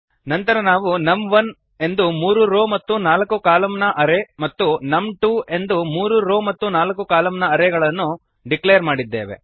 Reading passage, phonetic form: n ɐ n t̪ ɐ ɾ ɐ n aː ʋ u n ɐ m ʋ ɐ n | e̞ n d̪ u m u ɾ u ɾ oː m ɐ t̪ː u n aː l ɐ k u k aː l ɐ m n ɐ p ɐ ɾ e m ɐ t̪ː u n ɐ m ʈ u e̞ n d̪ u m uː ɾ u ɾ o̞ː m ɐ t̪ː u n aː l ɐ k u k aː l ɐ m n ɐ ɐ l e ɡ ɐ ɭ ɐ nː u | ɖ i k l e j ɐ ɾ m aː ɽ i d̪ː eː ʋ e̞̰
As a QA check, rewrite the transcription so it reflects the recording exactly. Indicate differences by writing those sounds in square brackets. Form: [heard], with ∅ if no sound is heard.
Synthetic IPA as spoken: n ɐ n t̪ ɐ ɾ ɐ n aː ʋ u n ɐ m ʋ ɐ n | e̞ n d̪ u m [uː] ɾ u ɾ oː m ɐ t̪ː u n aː l ɐ k u k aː l ɐ m n ɐ [ʔ] ɐ ɾ e m ɐ t̪ː u n ɐ m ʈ u e̞ n d̪ u m uː ɾ u ɾ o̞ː m ɐ t̪ː u n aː l ɐ k u k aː l ɐ m n ɐ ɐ [ɾ] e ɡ ɐ ɭ ɐ nː u | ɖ i k l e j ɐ ɾ m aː ɽ i d̪ː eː ʋ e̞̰